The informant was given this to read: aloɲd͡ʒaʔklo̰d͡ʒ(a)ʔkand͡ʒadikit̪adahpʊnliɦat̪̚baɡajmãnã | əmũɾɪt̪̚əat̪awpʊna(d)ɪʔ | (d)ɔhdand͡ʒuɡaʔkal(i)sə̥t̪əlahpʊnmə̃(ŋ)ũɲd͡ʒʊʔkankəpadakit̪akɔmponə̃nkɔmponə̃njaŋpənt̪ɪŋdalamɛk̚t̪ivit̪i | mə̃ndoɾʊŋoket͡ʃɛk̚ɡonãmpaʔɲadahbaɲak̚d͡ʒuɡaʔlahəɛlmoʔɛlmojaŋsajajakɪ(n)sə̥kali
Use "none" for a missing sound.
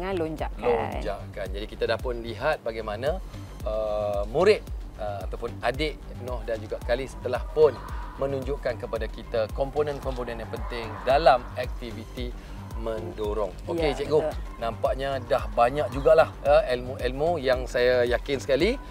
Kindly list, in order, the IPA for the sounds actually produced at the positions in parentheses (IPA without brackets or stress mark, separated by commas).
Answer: a, d, n, i, n, n